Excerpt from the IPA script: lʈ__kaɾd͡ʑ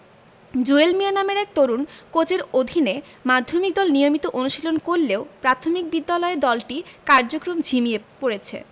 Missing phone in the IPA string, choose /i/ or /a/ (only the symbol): i